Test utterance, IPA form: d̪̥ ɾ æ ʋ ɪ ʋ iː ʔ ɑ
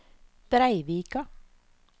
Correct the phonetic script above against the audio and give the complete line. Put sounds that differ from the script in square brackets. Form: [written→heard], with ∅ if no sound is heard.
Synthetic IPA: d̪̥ ɾ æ [ʋ→∅] ɪ ʋ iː [ʔ→k] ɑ